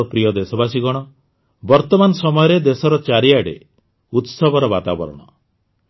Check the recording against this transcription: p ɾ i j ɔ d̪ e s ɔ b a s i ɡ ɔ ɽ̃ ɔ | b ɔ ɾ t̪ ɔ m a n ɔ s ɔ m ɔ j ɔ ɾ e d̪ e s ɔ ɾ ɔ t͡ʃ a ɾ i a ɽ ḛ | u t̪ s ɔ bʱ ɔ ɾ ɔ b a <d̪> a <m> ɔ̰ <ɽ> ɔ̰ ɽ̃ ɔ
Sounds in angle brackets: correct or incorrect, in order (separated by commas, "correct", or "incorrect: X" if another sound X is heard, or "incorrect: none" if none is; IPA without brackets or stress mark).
incorrect: t̪, incorrect: b, incorrect: ɾ